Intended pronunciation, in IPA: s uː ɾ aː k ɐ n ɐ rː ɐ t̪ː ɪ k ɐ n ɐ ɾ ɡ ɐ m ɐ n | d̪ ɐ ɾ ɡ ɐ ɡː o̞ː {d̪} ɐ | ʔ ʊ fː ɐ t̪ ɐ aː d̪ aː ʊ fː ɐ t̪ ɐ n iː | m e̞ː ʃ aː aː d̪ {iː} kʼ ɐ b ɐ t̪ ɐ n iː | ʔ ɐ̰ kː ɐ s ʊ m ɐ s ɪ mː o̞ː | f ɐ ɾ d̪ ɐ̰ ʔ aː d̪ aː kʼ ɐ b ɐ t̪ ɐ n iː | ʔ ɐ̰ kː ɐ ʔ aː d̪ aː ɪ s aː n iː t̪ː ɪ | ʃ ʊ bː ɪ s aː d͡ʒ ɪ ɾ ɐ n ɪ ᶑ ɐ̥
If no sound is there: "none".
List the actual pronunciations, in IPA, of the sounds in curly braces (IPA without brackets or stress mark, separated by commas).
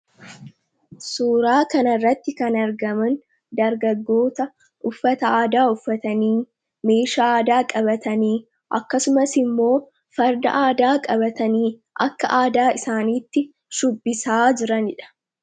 t̪, aː